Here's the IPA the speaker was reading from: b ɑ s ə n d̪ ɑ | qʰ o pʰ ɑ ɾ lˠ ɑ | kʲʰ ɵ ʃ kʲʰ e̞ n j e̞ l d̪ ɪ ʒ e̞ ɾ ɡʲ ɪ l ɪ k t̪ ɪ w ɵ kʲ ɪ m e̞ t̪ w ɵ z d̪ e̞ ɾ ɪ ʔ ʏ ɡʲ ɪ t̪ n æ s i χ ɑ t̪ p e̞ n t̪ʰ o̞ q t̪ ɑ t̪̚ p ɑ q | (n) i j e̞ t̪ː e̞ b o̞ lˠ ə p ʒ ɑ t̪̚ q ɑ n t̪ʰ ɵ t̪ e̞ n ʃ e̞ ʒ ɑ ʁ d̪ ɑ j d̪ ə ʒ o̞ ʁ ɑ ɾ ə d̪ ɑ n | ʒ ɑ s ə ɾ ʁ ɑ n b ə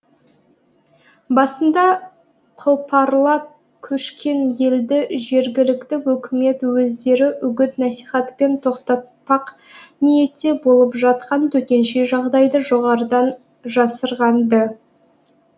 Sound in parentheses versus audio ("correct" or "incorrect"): correct